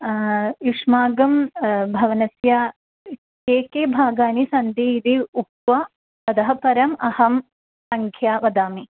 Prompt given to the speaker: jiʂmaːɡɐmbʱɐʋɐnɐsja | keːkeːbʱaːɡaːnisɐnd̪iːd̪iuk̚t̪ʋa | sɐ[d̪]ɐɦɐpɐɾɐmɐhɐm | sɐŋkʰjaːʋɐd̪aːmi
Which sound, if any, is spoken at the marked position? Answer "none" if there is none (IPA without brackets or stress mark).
d̪